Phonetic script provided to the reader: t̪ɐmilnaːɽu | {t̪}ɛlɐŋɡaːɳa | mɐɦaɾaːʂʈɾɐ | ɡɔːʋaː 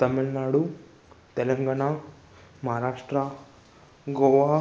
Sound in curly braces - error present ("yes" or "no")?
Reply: no